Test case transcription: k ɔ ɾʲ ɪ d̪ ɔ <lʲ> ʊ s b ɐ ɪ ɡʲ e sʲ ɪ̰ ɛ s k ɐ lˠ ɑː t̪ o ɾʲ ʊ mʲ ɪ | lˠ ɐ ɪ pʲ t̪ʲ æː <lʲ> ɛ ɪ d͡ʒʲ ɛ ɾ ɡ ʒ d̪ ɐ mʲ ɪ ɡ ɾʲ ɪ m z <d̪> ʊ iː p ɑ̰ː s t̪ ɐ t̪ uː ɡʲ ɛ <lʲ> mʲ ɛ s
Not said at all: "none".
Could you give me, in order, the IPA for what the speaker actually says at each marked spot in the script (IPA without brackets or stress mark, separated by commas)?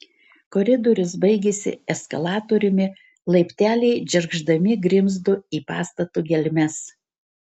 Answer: ɾʲ, lʲ, d̪, lʲ